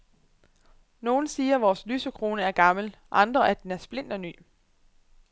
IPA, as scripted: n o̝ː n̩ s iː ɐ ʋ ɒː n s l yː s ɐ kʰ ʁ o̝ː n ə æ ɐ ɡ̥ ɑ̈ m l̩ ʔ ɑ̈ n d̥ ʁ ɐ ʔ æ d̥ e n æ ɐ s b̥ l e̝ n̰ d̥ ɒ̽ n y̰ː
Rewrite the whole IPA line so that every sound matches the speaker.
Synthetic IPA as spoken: n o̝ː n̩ s iː ɐ ʋ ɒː s l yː s ə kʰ ʁ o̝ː n ə æ ɐ ɡ̥ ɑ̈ m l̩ ʔ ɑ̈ n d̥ ʁ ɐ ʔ æ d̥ e n æ ɐ s b̥ l e̝ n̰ d̥ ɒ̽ n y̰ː